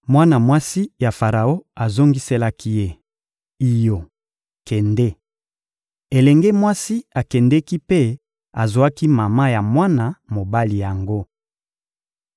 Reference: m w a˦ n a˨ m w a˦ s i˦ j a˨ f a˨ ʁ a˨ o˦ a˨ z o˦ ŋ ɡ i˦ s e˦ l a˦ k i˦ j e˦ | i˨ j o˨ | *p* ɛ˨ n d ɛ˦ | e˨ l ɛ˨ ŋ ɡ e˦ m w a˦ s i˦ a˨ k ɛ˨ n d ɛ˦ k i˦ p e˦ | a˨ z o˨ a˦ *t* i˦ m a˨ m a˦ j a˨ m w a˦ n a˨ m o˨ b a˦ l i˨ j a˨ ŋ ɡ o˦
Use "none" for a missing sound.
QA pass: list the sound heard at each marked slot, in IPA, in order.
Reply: k, k

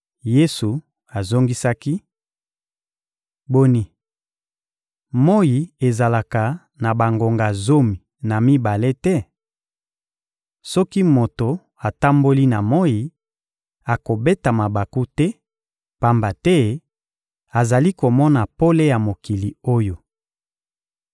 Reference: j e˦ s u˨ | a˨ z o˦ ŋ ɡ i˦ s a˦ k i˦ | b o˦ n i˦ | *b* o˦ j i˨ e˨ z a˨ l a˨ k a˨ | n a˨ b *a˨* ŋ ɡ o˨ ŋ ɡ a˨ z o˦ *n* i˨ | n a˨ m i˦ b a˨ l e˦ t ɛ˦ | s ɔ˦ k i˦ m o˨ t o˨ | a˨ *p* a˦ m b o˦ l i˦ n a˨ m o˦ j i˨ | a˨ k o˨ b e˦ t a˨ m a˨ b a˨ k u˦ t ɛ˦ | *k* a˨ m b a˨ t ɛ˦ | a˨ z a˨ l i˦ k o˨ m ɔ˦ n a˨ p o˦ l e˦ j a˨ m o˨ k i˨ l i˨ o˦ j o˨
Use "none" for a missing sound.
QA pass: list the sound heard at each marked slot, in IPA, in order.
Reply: m, a˨, m, t, p

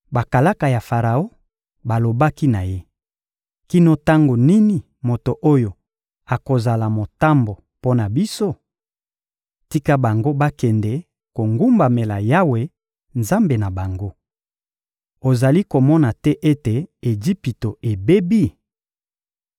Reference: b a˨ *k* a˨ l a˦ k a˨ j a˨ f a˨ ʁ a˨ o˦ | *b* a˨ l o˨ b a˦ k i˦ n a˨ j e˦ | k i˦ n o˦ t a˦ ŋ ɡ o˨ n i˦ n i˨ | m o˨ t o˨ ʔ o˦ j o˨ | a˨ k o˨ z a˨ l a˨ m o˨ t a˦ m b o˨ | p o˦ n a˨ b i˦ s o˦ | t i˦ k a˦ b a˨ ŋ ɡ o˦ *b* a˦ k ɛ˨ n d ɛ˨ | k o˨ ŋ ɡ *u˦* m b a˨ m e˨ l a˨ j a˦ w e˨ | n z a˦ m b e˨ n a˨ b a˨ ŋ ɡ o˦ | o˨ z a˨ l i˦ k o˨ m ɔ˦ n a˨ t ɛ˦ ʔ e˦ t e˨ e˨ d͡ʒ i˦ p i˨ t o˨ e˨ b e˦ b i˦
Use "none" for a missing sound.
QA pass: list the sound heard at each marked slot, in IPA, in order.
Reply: k, b, b, u˦

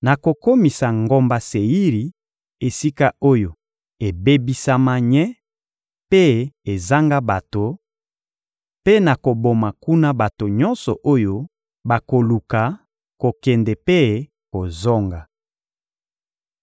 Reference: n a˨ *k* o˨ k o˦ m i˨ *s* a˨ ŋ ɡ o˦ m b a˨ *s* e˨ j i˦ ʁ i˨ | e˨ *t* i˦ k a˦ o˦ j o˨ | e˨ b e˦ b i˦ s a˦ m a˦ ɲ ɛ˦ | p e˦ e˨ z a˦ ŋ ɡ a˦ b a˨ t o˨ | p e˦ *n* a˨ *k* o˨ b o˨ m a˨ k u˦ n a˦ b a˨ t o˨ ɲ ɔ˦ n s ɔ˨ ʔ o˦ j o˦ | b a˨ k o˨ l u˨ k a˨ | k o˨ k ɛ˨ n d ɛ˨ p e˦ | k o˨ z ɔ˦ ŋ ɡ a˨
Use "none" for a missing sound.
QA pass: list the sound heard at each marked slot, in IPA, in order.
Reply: k, s, s, s, n, k

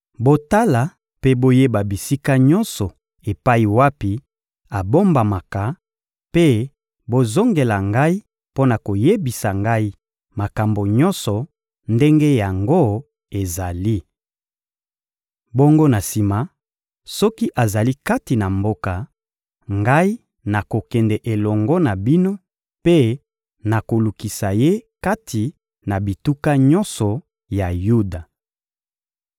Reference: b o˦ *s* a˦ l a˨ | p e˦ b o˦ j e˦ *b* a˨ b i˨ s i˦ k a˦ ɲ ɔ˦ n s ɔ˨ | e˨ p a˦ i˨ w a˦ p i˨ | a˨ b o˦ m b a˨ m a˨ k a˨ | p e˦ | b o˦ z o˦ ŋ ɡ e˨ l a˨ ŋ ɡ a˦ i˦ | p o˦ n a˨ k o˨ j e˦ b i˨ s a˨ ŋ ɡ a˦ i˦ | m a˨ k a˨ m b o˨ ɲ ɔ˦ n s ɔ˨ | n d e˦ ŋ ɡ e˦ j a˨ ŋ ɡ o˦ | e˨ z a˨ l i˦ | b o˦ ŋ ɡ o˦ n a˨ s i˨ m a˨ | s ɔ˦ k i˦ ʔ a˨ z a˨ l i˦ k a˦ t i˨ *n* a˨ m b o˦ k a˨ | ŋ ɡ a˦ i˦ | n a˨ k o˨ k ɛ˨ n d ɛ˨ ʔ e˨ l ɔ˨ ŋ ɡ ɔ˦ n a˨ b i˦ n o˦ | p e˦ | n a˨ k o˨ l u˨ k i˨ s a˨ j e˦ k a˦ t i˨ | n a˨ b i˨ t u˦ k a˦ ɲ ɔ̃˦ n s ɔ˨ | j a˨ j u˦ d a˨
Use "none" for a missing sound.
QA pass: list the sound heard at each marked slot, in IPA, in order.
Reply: t, b, n

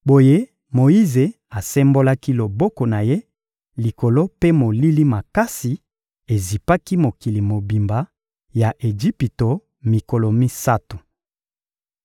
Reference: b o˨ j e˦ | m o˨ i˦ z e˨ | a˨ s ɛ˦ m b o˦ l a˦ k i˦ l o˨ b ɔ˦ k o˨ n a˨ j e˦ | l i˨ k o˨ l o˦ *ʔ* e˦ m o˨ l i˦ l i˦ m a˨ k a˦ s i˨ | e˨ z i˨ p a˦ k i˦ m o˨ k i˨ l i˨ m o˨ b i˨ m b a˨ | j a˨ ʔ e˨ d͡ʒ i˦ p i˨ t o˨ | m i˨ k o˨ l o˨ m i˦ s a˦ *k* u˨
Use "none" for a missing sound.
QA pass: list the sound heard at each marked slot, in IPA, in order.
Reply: p, t

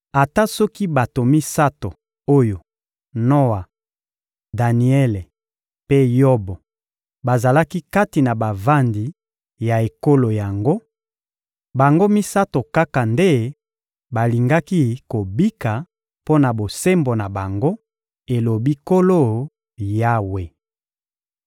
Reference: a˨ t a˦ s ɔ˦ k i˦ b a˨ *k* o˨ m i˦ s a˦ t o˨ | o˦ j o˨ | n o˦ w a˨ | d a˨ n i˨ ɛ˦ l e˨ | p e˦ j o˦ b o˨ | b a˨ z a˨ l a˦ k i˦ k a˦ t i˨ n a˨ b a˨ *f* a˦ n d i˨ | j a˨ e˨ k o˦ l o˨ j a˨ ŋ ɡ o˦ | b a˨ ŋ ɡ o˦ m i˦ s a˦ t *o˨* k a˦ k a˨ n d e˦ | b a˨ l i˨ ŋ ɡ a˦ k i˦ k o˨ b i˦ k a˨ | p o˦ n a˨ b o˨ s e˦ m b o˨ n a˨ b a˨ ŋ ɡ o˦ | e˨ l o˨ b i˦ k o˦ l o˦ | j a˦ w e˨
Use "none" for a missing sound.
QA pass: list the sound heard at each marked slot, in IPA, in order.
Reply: t, v, o˨

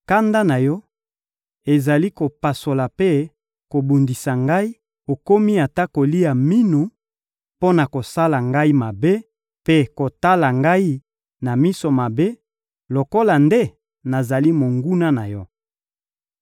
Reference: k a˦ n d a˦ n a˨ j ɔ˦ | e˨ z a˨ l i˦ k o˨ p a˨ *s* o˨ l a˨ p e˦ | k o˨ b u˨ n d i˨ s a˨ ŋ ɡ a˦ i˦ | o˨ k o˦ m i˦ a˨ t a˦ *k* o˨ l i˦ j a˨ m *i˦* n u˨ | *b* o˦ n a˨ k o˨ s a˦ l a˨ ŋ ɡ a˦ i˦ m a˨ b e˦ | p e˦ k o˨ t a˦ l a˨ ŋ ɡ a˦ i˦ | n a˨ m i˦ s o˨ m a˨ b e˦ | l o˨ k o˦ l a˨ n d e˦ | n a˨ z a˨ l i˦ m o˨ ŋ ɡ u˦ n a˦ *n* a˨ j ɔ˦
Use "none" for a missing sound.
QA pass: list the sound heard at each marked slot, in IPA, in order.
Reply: s, k, i˦, p, n

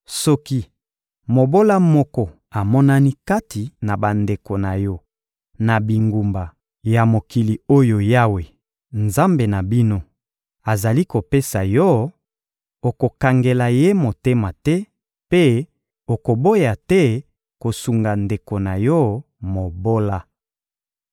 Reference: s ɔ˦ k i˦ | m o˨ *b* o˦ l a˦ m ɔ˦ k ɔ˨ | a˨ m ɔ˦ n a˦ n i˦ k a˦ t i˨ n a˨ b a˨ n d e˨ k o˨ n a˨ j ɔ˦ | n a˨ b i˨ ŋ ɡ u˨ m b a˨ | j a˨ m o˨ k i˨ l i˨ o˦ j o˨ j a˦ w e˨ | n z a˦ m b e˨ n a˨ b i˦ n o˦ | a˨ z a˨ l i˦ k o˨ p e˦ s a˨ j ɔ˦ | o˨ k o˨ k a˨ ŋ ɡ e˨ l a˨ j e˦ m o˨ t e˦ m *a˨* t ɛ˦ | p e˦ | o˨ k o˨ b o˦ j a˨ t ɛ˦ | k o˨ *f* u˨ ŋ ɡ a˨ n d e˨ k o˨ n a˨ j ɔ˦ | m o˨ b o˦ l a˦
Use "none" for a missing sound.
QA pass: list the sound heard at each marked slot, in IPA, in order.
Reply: b, a˨, s

